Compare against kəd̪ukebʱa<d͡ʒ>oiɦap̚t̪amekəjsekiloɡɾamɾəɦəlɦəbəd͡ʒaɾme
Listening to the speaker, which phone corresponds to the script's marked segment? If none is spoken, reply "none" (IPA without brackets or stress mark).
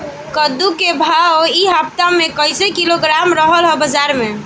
none